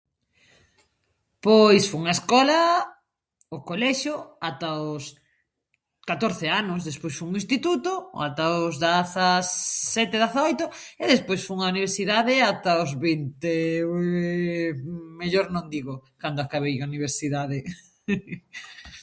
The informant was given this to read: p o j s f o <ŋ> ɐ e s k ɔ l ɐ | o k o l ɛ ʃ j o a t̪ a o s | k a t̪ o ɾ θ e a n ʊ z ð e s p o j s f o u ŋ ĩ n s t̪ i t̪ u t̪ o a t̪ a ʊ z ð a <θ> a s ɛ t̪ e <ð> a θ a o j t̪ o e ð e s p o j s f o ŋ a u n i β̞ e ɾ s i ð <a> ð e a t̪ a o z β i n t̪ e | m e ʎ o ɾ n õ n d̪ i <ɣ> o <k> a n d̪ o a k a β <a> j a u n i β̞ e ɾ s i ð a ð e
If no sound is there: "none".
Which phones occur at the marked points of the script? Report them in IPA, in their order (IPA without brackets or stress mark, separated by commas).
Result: ŋ, θ, ð, a, ɣ, k, e